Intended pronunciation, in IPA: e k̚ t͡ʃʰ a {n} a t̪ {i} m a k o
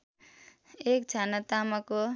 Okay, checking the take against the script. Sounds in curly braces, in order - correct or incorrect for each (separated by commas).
correct, incorrect